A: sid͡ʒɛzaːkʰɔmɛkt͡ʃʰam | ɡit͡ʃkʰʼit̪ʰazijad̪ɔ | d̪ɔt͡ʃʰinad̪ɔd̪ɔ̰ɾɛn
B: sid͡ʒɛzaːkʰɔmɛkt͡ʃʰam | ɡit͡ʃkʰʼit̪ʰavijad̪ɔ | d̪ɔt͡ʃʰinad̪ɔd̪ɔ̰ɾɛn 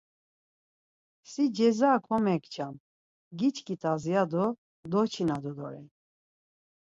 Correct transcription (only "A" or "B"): A